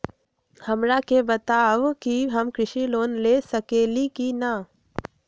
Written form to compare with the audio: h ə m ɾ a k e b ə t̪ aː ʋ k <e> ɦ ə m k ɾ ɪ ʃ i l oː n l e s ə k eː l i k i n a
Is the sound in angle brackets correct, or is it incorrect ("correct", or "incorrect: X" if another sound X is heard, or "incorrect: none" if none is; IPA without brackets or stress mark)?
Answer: incorrect: i